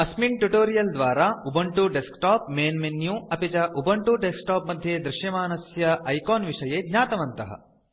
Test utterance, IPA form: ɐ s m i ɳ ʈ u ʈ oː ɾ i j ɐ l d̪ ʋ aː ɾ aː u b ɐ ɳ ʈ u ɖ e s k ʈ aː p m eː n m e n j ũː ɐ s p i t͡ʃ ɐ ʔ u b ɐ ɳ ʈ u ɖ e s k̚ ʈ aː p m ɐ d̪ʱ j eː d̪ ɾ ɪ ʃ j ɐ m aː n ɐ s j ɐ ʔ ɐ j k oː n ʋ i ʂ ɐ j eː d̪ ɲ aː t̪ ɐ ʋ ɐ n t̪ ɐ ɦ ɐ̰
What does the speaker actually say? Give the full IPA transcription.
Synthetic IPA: ɐ s m i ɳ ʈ u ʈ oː ɾ i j ɐ l d̪ ʋ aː ɾ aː u b ɐ ɳ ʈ u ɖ e s k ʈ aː p m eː n m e n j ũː ɐ p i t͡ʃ ɐ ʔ u b ɐ ɳ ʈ u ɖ e s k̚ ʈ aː p m ɐ d̪ʱ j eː d̪ ɾ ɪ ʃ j ɐ m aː n ɐ s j ɐ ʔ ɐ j k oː n ʋ i ʂ ɐ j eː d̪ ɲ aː t̪ ɐ ʋ ɐ n t̪ ɐ ɦ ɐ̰